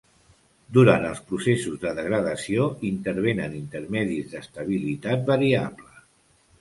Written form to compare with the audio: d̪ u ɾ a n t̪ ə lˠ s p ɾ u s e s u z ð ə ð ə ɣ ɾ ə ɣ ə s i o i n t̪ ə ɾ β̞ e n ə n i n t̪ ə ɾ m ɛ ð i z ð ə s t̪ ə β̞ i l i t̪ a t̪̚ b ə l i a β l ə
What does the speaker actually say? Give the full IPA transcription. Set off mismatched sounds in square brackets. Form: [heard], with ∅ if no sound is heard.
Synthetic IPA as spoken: d̪ u ɾ a n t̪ ə lˠ s p ɾ u s e s u z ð ə ð ə ɣ ɾ ə [ð] ə s i o i n t̪ ə ɾ β̞ e n ə n i n t̪ ə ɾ m ɛ ð i z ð ə s t̪ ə β̞ i l i t̪ a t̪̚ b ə [ɾ] i a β l ə